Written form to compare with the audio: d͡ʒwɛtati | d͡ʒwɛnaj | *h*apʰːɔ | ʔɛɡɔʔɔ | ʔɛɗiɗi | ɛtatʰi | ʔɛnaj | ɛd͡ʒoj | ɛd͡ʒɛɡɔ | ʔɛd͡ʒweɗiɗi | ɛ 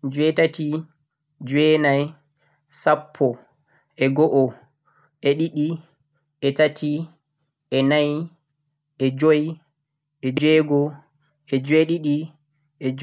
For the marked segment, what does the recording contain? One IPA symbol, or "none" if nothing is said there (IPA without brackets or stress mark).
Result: s